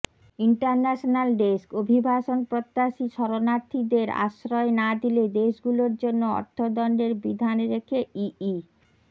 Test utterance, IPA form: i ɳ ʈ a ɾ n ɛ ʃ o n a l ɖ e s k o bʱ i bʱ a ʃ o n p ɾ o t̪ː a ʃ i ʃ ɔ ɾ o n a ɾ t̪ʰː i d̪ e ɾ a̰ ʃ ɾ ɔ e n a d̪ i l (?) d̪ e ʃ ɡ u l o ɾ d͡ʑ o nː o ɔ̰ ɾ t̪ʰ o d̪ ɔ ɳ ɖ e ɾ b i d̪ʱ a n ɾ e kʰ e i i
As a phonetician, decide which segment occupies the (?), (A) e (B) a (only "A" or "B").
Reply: A